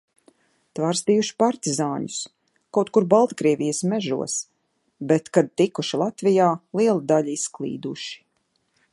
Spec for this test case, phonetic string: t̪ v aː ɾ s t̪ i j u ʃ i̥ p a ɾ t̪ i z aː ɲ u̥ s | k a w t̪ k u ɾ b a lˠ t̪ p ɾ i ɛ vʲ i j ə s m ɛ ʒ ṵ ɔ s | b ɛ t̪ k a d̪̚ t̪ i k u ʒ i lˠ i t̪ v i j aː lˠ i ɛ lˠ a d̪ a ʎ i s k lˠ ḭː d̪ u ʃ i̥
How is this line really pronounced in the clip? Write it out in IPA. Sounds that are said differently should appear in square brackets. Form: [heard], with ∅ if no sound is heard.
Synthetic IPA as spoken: t̪ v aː ɾ s t̪ i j u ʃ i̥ p a ɾ t̪ i z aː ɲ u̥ s | k a w t̪ k u ɾ b a lˠ t̪ [k] ɾ i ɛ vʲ i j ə s m ɛ ʒ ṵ ɔ s | b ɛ t̪ k a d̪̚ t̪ i k u [ʃ] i lˠ [a] t̪ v i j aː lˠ i ɛ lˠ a d̪ a ʎ i s k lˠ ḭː d̪ u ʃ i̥